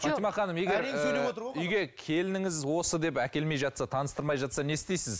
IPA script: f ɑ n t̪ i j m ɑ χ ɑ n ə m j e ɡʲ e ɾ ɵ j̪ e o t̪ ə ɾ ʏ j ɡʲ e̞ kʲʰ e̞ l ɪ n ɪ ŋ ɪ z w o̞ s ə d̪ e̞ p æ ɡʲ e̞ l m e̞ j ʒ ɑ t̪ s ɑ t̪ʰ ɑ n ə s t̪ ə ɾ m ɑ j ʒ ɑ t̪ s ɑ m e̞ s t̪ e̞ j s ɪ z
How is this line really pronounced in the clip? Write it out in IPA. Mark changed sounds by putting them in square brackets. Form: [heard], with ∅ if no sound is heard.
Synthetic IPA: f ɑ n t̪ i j m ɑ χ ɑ n ə m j e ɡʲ e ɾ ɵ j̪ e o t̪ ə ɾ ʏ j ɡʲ e̞ kʲʰ e̞ l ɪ n ɪ ŋ ɪ z w o̞ s ə d̪ e̞ p æ [kʲ] e̞ l m e̞ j ʒ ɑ t̪ s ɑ t̪ʰ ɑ n ə s t̪ ə ɾ m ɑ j ʒ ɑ t̪ s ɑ [n] e̞ s t̪ e̞ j s ɪ z